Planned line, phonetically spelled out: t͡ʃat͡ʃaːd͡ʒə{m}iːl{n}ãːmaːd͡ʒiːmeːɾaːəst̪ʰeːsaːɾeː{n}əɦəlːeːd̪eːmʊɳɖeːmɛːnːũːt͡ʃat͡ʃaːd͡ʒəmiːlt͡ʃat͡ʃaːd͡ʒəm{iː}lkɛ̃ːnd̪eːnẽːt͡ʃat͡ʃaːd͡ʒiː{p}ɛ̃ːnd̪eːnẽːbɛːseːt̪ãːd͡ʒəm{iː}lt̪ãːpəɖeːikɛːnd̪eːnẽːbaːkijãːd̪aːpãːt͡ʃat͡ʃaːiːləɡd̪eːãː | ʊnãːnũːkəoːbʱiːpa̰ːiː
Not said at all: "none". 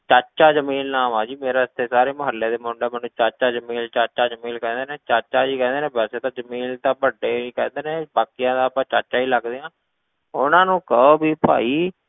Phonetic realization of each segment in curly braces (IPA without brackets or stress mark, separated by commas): m, n, m, iː, k, iː